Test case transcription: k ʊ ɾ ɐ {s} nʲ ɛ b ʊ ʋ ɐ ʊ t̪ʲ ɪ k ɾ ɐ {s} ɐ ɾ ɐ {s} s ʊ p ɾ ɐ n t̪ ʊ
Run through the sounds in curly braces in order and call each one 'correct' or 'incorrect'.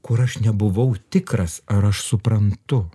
incorrect: ʃ, correct, incorrect: ʃ

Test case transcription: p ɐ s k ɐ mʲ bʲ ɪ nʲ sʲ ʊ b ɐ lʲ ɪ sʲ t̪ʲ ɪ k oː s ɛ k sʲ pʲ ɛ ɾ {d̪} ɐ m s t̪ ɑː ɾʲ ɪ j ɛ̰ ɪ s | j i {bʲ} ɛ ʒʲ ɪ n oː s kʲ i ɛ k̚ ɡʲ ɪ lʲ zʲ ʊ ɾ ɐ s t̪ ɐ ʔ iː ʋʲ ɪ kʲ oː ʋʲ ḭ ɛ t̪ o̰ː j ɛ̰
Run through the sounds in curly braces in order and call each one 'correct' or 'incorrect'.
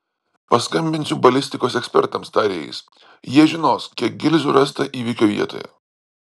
incorrect: t̪, incorrect: none

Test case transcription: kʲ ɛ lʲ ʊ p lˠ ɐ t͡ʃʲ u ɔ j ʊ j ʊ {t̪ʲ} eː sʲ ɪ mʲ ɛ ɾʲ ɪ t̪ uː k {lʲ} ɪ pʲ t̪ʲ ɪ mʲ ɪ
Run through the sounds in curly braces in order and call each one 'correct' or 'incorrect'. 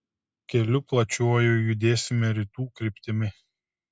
incorrect: d̪ʲ, incorrect: ɾʲ

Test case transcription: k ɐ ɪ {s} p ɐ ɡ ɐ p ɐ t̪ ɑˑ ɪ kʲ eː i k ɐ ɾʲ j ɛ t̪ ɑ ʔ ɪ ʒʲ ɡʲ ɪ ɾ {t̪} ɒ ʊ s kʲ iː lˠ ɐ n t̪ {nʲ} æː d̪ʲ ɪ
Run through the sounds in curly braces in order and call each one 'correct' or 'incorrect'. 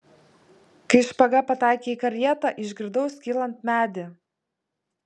incorrect: ʃ, incorrect: d̪, incorrect: mʲ

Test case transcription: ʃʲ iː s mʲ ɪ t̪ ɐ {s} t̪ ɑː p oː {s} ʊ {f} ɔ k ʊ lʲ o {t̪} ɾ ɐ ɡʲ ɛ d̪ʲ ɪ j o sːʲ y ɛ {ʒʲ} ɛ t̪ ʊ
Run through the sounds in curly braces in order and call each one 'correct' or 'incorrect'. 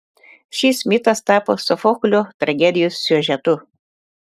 correct, correct, correct, correct, correct

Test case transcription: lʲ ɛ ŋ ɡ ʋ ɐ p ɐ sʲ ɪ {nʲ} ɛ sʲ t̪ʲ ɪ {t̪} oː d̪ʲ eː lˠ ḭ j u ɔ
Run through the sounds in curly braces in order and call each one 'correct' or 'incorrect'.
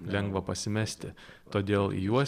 incorrect: mʲ, correct

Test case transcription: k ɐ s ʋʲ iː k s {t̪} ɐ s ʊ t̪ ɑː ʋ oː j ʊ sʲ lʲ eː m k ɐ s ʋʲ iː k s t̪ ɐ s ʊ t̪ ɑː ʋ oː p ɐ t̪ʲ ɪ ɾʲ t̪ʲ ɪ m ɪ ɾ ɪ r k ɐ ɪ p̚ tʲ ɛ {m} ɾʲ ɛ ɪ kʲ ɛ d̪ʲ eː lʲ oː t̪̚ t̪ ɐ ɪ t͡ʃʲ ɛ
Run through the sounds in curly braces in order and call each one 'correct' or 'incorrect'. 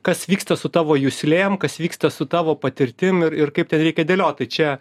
correct, incorrect: n

